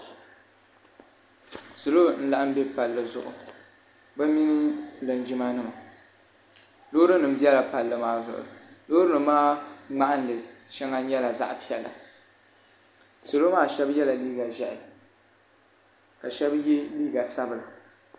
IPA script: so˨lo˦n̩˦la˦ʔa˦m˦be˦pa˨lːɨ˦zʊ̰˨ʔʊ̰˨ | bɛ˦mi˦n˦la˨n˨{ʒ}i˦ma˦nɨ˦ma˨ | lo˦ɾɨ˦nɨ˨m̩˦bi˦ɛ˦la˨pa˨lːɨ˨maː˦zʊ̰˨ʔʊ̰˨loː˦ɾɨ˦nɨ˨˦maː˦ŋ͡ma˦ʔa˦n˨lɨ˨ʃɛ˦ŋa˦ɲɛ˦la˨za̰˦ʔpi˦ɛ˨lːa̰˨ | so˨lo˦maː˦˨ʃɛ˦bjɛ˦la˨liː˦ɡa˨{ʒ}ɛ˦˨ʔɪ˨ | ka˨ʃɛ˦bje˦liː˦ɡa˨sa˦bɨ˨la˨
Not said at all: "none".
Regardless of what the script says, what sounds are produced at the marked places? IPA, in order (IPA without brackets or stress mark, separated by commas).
d͡ʒ, ʒ